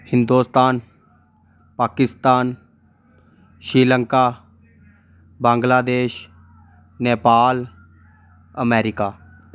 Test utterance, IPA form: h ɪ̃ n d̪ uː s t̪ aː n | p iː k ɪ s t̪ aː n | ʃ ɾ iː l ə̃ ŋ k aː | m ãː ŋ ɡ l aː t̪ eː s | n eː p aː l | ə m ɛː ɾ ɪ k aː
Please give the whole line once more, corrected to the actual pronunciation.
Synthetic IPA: h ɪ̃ n d̪ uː s t̪ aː n | p aː k ɪ s t̪ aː n | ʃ ɾ iː l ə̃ ŋ k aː | b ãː ŋ ɡ l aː d̪ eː ʃ | n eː p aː l | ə m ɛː ɾ ɪ k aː